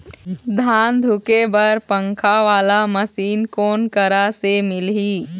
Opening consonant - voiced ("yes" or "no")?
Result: yes